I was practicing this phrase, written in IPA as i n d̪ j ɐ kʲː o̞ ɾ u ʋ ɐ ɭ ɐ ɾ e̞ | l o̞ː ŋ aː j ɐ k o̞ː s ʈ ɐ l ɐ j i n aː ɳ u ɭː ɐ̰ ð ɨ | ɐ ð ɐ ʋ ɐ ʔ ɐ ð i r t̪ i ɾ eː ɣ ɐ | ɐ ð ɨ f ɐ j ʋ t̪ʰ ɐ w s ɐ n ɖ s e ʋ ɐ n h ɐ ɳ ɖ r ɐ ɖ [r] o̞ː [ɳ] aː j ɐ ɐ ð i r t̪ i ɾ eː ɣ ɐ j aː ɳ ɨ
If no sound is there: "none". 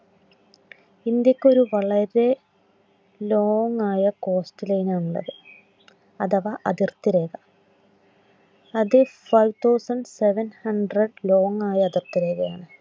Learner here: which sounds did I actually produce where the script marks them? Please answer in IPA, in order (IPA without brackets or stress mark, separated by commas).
l, ŋ